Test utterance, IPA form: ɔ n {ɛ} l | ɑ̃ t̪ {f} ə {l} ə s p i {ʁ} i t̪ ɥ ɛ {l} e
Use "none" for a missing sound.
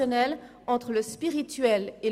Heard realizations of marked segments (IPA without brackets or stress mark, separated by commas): ɛ, χ, l, ʁ, l